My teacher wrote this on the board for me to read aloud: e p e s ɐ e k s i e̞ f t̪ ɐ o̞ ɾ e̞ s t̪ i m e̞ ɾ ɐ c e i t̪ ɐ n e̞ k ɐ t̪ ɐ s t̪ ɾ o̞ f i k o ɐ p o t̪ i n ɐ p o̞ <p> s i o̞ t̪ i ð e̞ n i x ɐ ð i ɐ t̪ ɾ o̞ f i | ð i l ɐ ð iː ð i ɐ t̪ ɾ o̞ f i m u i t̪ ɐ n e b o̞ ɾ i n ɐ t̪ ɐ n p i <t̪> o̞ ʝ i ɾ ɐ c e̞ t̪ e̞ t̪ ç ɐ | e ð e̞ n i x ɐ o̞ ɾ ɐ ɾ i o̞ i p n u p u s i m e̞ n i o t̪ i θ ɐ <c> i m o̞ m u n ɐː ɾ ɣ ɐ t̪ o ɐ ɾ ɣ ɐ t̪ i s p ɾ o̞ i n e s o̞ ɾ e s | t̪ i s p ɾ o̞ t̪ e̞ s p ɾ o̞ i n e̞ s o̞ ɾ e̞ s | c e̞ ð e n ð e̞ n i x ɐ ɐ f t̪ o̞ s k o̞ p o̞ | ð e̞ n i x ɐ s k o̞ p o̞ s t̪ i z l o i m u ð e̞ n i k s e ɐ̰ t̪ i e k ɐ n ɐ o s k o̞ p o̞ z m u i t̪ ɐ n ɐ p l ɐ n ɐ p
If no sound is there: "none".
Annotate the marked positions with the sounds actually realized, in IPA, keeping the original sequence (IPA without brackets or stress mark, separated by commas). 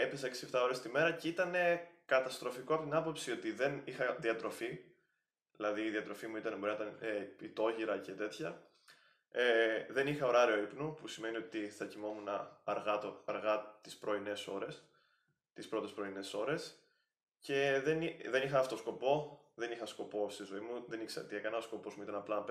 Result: p, t̪, c